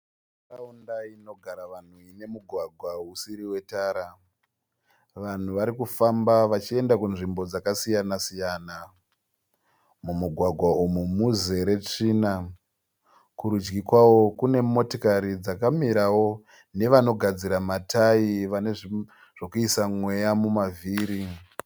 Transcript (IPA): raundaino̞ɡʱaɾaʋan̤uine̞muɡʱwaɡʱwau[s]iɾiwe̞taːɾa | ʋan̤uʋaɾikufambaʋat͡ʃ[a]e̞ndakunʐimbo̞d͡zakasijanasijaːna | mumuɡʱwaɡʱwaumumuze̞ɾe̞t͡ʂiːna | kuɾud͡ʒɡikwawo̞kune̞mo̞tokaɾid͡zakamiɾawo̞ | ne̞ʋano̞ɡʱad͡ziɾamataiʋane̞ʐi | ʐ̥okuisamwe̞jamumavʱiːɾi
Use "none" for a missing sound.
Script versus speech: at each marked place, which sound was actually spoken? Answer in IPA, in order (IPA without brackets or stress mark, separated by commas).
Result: s, i